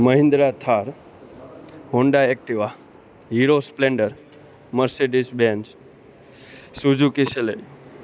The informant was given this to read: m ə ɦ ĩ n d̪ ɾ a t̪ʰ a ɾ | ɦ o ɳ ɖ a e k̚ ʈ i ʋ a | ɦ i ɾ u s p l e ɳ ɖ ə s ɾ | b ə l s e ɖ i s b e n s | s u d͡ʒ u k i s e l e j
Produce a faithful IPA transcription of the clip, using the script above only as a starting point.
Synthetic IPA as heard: m ə ɦ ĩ n d̪ ɾ a t̪ʰ a ɾ | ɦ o ɳ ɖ a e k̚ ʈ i ʋ a | ɦ i ɾ o s p l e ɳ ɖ ə ɾ | m ə ɾ s e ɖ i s b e n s | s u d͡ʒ u k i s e l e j